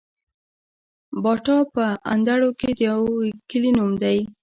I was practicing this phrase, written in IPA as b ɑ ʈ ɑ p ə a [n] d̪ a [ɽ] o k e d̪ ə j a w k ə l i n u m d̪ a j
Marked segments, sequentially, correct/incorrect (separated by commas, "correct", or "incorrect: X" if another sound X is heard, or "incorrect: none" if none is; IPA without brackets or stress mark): correct, correct